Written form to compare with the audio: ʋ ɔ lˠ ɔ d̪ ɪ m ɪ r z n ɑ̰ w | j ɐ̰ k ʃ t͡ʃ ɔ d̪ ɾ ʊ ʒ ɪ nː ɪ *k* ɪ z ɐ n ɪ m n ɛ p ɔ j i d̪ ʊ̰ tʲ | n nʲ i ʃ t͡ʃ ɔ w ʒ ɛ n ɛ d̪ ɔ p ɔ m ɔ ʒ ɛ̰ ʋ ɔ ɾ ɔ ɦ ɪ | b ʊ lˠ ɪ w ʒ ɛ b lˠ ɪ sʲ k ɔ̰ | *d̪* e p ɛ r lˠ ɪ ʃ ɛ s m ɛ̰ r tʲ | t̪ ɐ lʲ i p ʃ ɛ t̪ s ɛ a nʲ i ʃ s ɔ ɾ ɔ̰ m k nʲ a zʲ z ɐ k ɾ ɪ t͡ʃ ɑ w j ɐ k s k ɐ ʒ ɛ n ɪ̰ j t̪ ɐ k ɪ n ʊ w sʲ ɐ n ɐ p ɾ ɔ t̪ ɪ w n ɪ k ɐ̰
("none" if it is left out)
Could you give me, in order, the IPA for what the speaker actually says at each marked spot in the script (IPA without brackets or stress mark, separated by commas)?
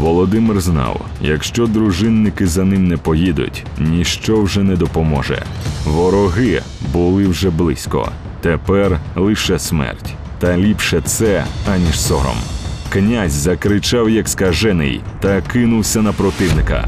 k, t̪